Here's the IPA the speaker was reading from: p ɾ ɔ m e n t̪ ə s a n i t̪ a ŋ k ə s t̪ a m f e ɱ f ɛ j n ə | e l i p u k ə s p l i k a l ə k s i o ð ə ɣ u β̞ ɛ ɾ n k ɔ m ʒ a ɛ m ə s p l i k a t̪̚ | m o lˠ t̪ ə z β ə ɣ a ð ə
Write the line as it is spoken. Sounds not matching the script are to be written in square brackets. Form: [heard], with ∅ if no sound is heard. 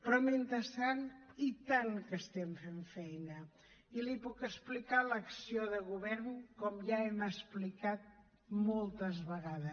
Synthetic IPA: p ɾ ɔ m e n t̪ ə s a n i t̪ a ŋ k ə s t̪ [ɛ] m f e ɱ f ɛ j n ə | [i] l i p u k ə s p l i k a l ə k s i o ð ə ɣ u β̞ ɛ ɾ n k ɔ m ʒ a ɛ m ə s p l i k a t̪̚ | m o lˠ t̪ ə z β ə ɣ a ð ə

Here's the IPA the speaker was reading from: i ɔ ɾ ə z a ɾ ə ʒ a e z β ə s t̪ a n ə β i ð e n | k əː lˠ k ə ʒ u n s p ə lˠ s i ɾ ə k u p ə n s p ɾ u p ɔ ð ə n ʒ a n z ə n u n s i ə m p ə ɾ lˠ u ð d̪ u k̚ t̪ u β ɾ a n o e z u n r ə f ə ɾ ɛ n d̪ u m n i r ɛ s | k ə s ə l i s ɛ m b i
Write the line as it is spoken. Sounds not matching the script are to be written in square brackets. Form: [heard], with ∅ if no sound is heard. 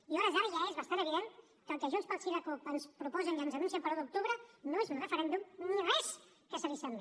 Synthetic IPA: i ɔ ɾ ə z a ɾ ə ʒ a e z β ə s t̪ a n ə β i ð e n | k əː lˠ k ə ʒ u n s p ə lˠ s i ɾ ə k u p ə n s p ɾ u p ɔ [z] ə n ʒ a n z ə n u n s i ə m p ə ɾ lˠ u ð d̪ u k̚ t̪ u β ɾ [ə] n o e z u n r ə f ə ɾ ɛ n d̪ u m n i r ɛ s | k ə s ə l i s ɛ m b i

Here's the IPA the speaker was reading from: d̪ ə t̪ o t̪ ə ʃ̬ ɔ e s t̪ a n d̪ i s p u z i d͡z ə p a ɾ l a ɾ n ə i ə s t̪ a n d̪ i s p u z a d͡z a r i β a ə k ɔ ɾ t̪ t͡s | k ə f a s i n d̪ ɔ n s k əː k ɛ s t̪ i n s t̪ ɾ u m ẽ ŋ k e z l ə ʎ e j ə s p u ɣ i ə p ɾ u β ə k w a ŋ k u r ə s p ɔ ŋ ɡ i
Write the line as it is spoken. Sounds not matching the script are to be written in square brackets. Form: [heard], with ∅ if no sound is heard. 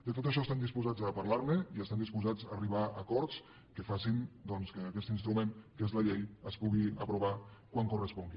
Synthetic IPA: d̪ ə t̪ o t̪ ə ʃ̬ ɔ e s t̪ a n d̪ i s p u z [a] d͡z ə p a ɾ l a ɾ [m] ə i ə s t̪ a n d̪ i s p u z a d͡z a r i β a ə k ɔ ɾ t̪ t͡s | k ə f a s i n d̪ ɔ n s k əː k ɛ s t̪ i n s t̪ ɾ u m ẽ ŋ k e z l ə ʎ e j ə s p u ɣ i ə p ɾ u β [a] k w a ŋ k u r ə s p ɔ ŋ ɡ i

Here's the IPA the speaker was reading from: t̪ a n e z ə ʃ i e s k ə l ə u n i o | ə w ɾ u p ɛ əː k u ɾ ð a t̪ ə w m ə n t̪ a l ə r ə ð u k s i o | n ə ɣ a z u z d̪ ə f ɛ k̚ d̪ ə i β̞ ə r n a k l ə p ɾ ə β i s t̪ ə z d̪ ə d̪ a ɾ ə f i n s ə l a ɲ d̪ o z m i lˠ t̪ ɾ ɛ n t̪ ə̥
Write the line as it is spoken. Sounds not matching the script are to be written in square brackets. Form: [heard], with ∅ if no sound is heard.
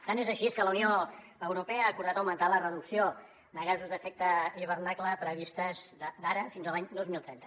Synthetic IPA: t̪ a n e z ə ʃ i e s k ə l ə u n i o | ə w ɾ u p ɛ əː k u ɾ ð a t̪ ə w m ə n t̪ a l ə r ə ð u k s i o | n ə ɣ a z u z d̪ ə f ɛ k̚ [t̪] ə i β̞ ə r n a k l ə p ɾ ə β i s t̪ ə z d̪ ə d̪ a ɾ ə f i n [z] ə l a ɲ d̪ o z m i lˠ t̪ ɾ ɛ n t̪ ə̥

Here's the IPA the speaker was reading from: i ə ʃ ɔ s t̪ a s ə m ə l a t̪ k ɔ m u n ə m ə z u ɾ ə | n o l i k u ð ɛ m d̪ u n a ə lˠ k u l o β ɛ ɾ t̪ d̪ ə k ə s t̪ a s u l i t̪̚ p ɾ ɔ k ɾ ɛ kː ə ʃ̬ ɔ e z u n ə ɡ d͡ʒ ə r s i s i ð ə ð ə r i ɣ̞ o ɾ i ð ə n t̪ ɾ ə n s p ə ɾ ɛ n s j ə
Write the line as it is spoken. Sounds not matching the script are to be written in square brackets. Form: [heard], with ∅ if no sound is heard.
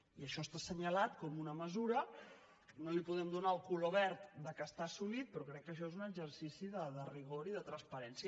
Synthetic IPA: i ə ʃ ɔ s t̪ a s ə [ɲ] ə l a t̪ k ɔ m u n ə m ə z u ɾ ə | n o l i [p] u ð ɛ m d̪ u n a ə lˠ k u l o β ɛ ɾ t̪ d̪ ə k ə s t̪ a s u l i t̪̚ p ɾ ɔ k ɾ ɛ kː ə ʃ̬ ɔ e z u n ə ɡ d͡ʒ ə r s i s i ð ə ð ə r i ɣ̞ o ɾ i ð ə [∅] t̪ ɾ ə n s p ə ɾ ɛ n s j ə

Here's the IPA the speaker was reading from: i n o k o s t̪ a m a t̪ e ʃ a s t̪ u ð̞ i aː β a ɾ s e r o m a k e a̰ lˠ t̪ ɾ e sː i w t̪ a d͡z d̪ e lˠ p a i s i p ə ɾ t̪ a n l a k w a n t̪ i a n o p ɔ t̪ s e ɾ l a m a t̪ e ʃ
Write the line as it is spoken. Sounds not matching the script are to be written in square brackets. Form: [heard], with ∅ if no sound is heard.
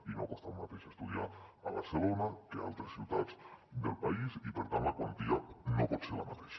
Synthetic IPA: i n o k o s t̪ a m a t̪ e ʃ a s t̪ u ð̞ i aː β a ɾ s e [l] o [n] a k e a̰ lˠ t̪ ɾ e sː i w t̪ a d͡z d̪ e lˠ p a i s i p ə ɾ t̪ a n l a k w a n t̪ i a n o p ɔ t̪ s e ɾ l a m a t̪ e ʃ

